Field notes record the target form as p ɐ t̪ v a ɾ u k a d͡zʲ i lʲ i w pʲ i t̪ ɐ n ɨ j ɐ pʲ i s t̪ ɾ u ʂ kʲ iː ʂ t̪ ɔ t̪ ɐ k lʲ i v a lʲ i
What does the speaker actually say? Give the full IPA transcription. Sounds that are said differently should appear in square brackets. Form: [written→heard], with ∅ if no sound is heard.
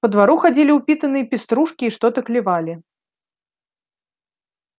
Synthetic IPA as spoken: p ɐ [t̪→d̪] v a ɾ u [k→x] a d͡zʲ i lʲ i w pʲ i t̪ ɐ n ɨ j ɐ pʲ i s t̪ ɾ u ʂ kʲ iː ʂ t̪ ɔ t̪ ɐ k lʲ i v a lʲ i